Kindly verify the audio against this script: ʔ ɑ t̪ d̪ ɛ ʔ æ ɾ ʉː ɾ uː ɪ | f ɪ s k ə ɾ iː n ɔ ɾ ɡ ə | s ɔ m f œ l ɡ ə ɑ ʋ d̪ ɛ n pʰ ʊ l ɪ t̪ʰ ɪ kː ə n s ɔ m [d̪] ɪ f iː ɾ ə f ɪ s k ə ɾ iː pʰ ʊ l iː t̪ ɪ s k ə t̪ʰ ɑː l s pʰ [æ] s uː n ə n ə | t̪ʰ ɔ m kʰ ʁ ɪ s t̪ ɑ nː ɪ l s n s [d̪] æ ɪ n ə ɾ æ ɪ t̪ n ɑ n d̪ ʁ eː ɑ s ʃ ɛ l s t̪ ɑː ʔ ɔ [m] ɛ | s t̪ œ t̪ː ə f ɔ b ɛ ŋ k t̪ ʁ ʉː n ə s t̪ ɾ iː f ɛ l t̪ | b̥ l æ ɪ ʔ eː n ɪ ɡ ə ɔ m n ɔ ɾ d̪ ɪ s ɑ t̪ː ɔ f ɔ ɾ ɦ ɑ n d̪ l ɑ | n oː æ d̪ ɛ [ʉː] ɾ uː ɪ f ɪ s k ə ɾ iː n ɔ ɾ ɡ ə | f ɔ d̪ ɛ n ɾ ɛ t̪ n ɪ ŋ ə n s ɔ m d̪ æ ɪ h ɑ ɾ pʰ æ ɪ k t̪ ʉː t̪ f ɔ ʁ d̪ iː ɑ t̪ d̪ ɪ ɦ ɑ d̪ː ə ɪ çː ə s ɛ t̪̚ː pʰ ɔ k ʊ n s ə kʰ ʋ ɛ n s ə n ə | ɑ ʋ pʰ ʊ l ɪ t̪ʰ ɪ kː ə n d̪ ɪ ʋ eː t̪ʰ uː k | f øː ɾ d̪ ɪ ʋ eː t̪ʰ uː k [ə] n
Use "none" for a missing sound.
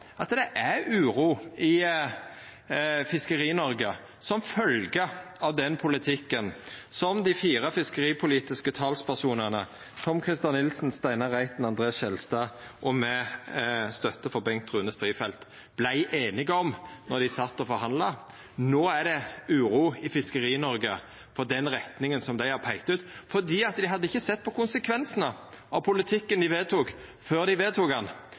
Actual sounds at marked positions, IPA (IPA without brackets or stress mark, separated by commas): d̪, æ, t̪, m, ʉː, ɑ